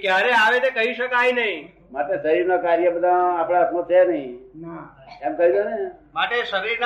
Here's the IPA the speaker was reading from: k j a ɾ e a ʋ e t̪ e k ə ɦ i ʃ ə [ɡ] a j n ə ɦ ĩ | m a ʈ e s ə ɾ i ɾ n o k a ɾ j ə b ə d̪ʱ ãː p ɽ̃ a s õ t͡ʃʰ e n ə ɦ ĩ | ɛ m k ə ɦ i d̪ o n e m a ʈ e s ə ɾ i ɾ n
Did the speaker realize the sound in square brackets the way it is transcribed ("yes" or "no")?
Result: no